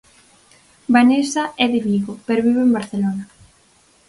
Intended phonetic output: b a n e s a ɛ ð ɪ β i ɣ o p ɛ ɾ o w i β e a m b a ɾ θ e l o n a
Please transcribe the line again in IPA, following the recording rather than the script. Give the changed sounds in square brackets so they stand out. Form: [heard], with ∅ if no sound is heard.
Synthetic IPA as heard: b a n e s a ɛ ð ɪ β i ɣ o p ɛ ɾ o [β] i β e [e] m b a ɾ θ e l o n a